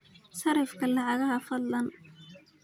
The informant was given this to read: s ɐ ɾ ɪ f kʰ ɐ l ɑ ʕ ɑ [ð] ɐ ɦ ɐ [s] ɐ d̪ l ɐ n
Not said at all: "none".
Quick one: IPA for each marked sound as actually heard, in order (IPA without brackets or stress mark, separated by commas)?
ɣ, f